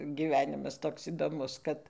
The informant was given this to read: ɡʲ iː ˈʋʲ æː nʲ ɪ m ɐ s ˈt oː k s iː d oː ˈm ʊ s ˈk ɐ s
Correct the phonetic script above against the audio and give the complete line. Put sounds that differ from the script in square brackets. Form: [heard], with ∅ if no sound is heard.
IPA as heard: ɡʲ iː ˈʋʲ æː nʲ ɪ m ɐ s ˈt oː k s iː d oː ˈm ʊ s ˈk ɐ [t]